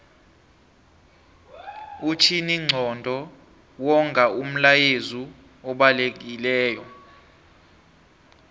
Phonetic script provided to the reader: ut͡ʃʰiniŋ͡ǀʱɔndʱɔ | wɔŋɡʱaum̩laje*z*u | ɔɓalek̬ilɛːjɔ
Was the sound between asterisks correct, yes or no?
yes